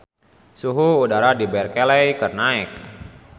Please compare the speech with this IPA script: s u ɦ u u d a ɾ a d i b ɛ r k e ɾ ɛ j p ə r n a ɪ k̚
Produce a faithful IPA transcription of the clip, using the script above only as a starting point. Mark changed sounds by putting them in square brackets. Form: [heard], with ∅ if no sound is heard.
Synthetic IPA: s u ɦ u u d a ɾ a d i b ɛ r k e [l] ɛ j [k] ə r n a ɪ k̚